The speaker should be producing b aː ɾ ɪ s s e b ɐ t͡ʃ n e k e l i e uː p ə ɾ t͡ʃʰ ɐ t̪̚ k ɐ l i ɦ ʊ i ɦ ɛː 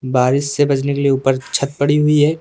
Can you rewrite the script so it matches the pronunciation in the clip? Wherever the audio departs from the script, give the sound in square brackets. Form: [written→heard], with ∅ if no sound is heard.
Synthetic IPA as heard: b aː ɾ ɪ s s e b ɐ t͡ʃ n e k e l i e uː p ə ɾ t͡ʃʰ ɐ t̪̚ [k→p] ɐ [l→ɽ] i ɦ ʊ i ɦ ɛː